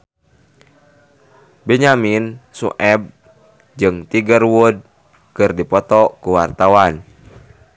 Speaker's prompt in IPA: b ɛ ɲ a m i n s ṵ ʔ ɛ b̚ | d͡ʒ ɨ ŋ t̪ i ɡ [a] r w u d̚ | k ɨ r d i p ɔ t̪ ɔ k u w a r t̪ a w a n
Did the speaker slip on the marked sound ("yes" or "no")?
yes